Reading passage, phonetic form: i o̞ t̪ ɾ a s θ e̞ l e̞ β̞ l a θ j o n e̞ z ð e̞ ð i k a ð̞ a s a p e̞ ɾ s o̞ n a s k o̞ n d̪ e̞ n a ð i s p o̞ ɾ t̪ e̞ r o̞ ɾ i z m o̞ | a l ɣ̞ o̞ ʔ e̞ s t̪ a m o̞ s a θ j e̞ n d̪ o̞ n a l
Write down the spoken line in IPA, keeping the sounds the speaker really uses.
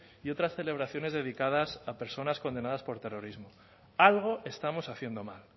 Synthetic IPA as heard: i o̞ t̪ ɾ a s θ e̞ l e̞ β̞ ɾ a θ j o n e̞ z ð e̞ ð i k a ð̞ a s a p e̞ ɾ s o̞ n a s k o̞ n d̪ e̞ n a ð a s p o̞ ɾ t̪ e̞ r o̞ ɾ i z m o̞ | a l ɣ̞ o̞ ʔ e̞ s t̪ a m o̞ s a θ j e̞ n d̪ o̞ m a l

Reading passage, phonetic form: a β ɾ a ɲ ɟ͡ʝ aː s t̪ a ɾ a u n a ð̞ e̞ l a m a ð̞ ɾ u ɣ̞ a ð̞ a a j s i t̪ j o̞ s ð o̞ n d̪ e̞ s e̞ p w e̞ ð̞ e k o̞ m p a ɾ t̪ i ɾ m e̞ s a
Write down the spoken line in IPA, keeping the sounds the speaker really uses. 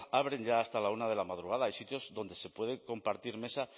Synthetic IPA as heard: a β ɾ e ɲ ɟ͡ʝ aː s t̪ a l a u n a ð̞ e̞ l a m a ð̞ ɾ u ɣ̞ a ð̞ a a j s i t̪ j o̞ z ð o̞ n d̪ e̞ s e̞ p w e̞ ð̞ e k o̞ m p a ɾ t̪ i ɾ m e̞ s a

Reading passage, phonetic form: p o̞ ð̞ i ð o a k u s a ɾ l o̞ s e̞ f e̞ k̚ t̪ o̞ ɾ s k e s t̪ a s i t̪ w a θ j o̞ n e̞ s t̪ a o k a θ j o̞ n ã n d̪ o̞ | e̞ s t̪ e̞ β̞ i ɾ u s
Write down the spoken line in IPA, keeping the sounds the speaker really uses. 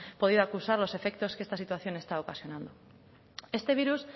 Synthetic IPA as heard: p o̞ ð̞ i ð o a k u s a ɾ l o̞ s e̞ f e̞ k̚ t̪ o̞ s k e s t̪ a s i t̪ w a θ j o̞ n e̞ s t̪ a o k a s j o̞ n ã n d̪ o̞ | e̞ s t̪ e̞ β̞ i ɾ u s

